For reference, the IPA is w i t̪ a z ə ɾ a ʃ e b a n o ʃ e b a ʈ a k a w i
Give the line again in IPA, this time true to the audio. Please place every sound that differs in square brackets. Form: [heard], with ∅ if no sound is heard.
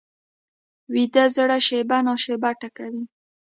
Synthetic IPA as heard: w i [d̪] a z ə [ɽ] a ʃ e b a n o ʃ e b a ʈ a k a w i